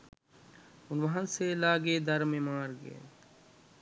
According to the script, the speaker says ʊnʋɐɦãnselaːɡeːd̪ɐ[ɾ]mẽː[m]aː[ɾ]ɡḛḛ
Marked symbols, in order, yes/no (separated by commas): yes, yes, yes